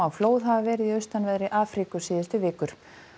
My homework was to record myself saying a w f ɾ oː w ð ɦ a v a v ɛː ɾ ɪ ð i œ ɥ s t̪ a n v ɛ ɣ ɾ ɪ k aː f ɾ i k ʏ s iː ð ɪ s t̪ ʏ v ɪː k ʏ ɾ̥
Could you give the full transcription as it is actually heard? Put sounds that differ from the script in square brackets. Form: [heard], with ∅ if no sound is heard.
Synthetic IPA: a w f [l] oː w ð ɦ a v a v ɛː ɾ ɪ ð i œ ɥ s t̪ a n v ɛ [ð] ɾ ɪ [ʔ] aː f ɾ i k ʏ s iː ð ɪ s t̪ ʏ v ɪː k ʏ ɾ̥